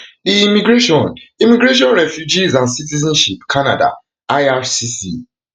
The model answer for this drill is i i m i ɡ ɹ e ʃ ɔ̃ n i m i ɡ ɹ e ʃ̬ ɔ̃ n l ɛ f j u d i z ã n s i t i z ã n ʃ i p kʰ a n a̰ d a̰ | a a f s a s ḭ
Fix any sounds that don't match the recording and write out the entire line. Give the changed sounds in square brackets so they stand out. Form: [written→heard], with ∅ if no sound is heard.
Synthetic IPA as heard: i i m i ɡ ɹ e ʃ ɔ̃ n i m i ɡ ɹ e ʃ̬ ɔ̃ n [l→ɹ] ɛ f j u [d→d͡ʒ] i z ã n s i t i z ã n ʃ i p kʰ a n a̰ d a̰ | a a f s [a→i] s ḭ